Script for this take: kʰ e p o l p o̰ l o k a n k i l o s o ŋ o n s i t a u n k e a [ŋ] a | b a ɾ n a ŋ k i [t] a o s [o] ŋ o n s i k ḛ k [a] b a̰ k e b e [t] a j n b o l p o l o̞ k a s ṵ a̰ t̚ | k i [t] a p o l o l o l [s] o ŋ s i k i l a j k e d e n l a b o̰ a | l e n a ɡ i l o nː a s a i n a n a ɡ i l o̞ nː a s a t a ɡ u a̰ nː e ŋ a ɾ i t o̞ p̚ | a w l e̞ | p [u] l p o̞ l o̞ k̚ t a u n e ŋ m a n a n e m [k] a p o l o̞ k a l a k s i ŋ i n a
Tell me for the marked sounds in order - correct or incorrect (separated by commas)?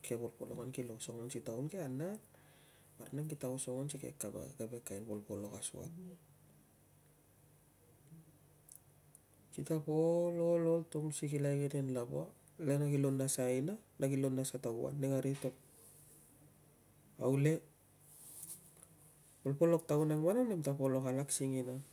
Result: incorrect, correct, correct, correct, incorrect, correct, incorrect, incorrect, incorrect